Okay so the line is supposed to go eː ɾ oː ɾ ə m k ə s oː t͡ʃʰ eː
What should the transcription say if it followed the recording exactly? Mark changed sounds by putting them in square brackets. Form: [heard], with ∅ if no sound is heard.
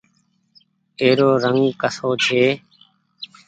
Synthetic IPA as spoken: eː ɾ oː ɾ ə [ŋ] k ə s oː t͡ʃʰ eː